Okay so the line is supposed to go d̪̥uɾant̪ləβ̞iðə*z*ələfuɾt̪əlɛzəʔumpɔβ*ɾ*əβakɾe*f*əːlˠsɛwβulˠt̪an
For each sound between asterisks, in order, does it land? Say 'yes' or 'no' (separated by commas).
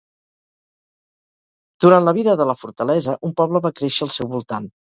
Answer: no, no, no